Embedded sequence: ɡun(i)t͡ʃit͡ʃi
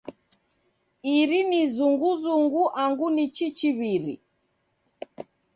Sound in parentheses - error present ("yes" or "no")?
no